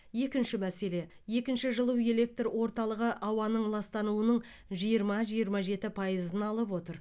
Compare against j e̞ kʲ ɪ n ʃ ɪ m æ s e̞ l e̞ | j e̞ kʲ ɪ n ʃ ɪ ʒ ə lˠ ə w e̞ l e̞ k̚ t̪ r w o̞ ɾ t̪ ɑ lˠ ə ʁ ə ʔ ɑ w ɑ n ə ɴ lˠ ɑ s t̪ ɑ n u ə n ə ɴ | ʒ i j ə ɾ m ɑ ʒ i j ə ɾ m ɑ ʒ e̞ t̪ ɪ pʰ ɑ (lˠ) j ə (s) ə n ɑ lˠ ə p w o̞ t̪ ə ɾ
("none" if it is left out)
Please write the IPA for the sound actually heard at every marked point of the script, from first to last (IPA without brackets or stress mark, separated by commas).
none, z